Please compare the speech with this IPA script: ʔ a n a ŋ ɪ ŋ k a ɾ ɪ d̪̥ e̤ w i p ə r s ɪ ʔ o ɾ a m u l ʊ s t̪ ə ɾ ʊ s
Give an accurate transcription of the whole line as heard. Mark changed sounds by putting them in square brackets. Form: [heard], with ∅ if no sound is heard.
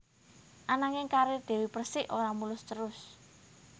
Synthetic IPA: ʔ a n a ŋ ɪ ŋ k a ɾ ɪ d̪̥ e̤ w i p ə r s ɪ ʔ o ɾ a m u l ʊ s t̪ ə ɾ ʊ s